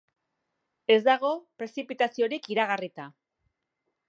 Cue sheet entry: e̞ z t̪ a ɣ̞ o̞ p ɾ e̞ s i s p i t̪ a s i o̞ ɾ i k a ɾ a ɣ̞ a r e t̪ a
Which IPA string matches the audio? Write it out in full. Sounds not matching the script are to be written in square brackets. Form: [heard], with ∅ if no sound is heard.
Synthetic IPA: e̞ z [d̪] a ɣ̞ o̞ p ɾ e̞ s i [∅] p i t̪ a s i o̞ ɾ i k [i] ɾ a ɣ̞ a r [i] t̪ a